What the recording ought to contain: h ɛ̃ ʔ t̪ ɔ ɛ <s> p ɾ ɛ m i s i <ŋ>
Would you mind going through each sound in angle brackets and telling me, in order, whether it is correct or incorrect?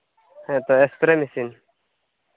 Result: correct, incorrect: n

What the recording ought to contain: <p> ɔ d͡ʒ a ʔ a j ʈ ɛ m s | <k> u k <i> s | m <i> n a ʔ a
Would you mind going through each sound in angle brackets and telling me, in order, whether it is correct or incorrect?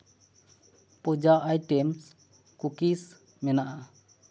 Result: correct, correct, correct, incorrect: ɛ

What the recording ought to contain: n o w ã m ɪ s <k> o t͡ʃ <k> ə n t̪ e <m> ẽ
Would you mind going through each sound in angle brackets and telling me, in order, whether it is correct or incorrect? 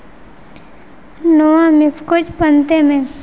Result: correct, incorrect: p, correct

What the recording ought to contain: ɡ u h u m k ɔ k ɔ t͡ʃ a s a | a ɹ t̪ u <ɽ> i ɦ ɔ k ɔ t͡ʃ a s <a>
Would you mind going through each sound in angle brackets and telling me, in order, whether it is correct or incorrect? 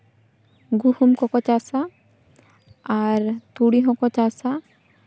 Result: correct, correct

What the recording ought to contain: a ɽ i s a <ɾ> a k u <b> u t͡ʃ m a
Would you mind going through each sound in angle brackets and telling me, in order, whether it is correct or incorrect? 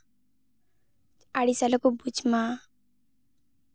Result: incorrect: l, correct

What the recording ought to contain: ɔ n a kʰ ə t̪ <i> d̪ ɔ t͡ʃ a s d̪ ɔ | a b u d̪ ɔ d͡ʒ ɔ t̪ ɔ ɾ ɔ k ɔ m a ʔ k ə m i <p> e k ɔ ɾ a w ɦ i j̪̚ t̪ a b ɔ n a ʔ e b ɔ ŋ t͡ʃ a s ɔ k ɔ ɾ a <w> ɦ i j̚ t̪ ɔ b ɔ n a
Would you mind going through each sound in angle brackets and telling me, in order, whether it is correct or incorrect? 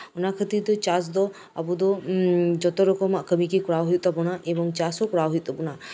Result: correct, incorrect: k, correct

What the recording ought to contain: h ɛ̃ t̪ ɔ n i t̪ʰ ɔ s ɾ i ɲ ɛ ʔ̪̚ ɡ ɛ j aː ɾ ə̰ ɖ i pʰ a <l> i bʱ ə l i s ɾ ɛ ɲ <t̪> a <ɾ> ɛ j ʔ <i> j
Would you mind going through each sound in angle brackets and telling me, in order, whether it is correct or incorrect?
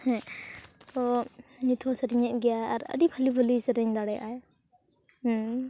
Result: correct, incorrect: d̪, incorrect: ɽ, incorrect: a

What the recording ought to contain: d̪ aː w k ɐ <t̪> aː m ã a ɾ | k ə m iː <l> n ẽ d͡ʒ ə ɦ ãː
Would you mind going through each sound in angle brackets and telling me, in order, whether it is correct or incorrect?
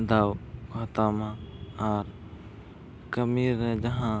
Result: correct, incorrect: ɾ

